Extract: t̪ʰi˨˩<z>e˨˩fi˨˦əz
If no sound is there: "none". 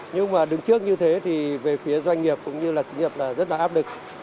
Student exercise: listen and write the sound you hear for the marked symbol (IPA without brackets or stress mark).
v